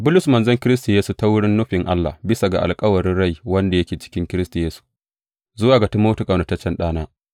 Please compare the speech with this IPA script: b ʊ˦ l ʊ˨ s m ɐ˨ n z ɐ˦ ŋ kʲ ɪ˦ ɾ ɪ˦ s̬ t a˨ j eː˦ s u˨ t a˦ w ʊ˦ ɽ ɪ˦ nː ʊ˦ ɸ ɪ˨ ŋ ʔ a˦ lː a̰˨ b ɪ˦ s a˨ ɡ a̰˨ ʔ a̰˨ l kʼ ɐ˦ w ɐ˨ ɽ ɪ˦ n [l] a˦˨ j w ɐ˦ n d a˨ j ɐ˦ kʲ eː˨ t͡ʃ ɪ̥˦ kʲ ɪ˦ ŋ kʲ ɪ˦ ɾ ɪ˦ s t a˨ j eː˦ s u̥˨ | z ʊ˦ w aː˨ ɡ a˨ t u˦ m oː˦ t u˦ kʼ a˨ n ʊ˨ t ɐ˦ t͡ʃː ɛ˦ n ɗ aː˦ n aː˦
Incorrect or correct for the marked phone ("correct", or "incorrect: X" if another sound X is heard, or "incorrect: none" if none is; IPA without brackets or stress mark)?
incorrect: ɽ